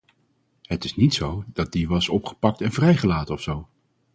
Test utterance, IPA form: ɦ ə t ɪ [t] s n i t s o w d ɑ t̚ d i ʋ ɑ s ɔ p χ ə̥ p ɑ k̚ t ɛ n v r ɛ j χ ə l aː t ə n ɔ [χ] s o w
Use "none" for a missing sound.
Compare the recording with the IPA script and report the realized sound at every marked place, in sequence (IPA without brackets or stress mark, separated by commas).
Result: none, f